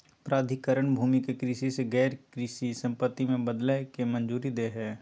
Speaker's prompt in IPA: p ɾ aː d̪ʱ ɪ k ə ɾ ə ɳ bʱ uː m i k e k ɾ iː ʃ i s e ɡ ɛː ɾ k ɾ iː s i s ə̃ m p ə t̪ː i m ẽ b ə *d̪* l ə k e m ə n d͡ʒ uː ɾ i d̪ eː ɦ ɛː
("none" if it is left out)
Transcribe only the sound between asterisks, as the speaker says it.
d̪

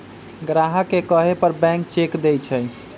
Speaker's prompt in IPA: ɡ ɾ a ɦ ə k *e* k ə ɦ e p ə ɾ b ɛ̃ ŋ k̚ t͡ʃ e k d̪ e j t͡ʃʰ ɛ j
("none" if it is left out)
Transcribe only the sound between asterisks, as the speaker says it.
e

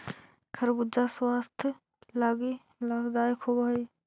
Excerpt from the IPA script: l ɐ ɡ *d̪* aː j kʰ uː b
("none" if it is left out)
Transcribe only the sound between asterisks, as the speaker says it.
d̪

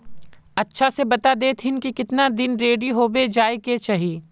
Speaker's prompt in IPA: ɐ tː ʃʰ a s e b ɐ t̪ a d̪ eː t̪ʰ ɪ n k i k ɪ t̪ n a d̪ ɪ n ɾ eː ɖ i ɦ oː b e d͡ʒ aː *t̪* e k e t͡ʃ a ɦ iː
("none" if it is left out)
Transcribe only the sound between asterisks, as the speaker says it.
none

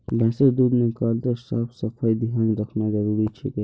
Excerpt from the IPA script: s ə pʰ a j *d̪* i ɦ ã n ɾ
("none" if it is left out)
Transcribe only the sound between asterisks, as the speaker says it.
d̪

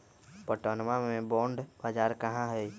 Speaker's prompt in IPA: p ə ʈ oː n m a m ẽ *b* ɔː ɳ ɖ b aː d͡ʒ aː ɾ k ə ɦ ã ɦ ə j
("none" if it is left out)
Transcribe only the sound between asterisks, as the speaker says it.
b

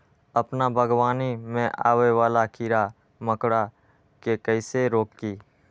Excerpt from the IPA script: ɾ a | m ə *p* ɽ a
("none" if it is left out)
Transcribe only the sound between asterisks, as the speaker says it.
k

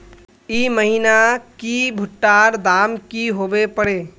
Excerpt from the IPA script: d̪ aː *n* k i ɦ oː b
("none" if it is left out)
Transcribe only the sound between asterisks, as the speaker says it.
m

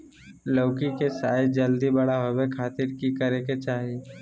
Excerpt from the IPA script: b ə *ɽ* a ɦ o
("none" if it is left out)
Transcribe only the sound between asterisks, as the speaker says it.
ɽ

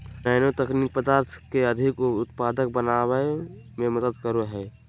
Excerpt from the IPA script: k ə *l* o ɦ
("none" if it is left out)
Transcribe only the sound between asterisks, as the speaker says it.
ɾ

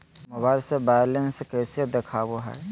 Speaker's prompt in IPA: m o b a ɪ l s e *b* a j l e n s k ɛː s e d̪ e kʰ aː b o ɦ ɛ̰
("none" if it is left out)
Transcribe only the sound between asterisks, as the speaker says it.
b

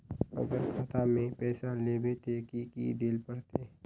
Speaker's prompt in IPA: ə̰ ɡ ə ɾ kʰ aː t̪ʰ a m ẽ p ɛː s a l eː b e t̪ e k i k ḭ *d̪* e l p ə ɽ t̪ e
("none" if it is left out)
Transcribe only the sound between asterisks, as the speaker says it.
d̪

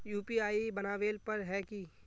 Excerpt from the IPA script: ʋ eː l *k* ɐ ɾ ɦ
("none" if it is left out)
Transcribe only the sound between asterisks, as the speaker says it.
p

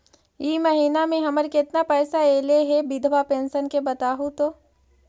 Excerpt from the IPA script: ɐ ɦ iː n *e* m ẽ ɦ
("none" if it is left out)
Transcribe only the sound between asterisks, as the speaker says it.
a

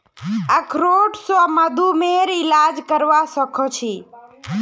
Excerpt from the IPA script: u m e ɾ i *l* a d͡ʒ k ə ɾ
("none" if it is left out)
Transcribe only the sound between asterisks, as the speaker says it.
l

